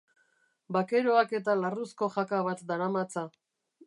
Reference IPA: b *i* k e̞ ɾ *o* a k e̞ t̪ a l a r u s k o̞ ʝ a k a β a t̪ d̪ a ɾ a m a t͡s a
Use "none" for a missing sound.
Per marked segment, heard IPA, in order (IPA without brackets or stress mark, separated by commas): a, o